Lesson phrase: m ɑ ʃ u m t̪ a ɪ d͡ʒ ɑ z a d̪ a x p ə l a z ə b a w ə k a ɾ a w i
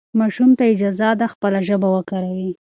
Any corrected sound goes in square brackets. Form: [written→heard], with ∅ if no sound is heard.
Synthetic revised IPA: m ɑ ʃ u m t̪ a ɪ d͡ʒ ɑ z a d̪ a x p ə l a [z→ʒ] ə b a w ə k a ɾ a w i